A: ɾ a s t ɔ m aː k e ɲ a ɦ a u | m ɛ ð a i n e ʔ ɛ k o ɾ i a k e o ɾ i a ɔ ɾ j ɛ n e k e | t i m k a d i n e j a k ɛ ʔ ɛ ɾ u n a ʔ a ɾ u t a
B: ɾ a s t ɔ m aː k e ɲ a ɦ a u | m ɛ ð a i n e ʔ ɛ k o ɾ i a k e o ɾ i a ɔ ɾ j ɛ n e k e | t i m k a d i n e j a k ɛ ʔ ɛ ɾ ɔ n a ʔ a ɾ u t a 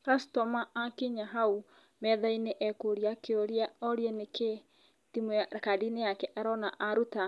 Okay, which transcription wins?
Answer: B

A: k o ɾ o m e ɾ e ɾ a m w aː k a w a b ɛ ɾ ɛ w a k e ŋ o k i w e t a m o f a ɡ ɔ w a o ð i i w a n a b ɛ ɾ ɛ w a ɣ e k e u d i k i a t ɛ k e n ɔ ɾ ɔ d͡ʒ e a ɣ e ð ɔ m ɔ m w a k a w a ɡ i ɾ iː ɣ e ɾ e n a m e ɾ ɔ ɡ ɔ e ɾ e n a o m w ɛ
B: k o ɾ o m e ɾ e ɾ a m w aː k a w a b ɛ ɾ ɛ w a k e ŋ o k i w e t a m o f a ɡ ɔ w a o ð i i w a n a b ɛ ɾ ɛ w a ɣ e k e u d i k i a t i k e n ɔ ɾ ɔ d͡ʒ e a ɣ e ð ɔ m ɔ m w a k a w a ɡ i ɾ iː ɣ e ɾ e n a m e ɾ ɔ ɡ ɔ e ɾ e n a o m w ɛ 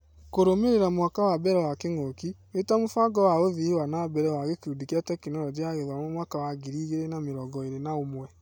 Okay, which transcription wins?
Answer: A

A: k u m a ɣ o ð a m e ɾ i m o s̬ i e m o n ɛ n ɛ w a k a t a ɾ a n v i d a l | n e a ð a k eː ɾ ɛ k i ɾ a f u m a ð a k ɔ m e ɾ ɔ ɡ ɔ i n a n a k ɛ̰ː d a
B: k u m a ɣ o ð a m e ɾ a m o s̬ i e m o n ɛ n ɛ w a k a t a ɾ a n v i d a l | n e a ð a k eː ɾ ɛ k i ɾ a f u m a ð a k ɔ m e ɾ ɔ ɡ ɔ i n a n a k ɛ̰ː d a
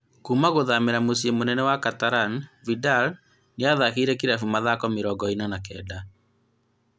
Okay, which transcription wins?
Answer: B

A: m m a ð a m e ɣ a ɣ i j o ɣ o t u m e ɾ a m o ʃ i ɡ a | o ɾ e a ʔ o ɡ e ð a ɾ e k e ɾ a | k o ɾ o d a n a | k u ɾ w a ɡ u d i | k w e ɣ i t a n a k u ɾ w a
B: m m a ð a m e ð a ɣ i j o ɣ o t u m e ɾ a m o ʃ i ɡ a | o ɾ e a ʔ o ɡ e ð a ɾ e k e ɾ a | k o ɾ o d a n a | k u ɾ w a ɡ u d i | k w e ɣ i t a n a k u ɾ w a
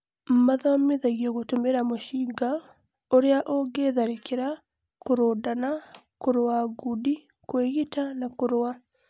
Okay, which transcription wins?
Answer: B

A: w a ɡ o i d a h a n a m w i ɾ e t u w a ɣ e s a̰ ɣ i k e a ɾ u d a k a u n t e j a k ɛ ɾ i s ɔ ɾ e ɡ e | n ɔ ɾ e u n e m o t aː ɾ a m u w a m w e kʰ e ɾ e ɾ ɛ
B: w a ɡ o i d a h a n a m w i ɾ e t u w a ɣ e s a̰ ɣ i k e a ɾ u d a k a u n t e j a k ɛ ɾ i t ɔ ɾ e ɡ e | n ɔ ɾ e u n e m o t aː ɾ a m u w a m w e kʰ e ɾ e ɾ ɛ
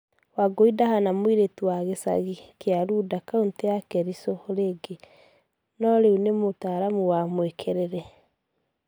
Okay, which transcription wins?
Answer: A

